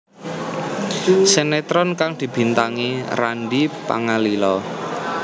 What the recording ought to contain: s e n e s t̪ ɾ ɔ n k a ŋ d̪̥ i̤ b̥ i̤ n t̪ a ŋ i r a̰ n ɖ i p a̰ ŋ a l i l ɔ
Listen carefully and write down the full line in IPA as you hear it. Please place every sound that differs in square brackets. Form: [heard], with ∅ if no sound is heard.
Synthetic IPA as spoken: s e n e [∅] t̪ ɾ ɔ n k a ŋ d̪̥ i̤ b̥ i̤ n t̪ a ŋ i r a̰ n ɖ i p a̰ ŋ a l i l ɔ